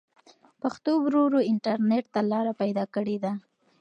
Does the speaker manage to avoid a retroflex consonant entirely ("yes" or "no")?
no